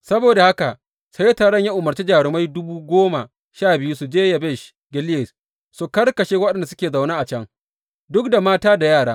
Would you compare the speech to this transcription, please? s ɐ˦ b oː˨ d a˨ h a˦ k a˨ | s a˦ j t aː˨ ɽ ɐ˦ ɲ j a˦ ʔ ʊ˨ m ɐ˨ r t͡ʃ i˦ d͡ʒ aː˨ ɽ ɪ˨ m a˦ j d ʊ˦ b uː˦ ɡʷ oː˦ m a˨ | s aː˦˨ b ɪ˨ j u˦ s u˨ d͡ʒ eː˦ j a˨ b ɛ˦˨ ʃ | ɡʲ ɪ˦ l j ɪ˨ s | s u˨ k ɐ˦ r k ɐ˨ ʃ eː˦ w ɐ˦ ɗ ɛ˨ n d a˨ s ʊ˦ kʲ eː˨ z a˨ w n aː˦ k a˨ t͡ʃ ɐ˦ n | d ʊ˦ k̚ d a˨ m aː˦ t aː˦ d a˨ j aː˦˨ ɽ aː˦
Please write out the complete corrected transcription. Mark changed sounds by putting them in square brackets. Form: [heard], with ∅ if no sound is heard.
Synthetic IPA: s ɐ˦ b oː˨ d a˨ h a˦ k a˨ | s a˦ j t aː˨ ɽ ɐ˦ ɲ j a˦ ʔ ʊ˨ m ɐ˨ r t͡ʃ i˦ d͡ʒ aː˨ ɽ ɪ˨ m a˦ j d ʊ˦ b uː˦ ɡʷ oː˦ m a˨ | [ʃ] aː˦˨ b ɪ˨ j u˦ s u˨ d͡ʒ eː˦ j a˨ b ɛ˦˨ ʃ | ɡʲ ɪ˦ l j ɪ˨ s | s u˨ k ɐ˦ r k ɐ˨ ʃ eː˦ w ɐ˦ ɗ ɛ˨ n d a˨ s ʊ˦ kʲ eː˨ z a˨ w n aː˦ [ʔ] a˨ t͡ʃ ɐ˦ [ŋ] | d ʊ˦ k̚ d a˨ m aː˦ t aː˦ d a˨ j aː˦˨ ɽ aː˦